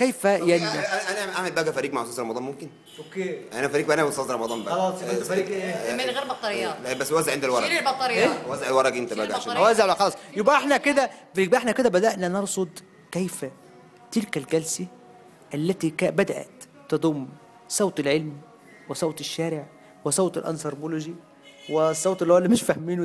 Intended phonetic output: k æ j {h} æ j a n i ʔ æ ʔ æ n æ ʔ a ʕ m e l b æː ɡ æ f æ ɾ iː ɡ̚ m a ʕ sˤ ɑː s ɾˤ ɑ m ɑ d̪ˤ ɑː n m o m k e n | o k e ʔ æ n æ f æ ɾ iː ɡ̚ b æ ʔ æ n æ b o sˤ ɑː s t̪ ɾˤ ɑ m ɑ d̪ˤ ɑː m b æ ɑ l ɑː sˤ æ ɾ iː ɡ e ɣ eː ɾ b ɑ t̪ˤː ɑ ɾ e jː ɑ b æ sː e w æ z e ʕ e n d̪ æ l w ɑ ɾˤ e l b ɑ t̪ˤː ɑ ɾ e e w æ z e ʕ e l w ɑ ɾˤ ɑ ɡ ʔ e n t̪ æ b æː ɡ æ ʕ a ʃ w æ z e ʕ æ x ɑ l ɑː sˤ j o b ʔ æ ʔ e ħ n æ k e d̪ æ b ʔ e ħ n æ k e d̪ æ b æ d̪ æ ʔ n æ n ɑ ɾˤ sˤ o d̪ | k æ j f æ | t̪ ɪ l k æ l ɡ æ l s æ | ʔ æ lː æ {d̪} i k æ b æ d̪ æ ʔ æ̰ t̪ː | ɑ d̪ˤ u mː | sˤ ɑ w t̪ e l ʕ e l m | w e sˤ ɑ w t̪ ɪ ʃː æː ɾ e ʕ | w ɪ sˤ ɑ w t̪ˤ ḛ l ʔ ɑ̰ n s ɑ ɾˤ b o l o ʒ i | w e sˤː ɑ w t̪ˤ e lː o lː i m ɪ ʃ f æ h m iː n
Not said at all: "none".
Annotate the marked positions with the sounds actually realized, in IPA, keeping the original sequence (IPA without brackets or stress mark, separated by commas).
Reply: f, t̪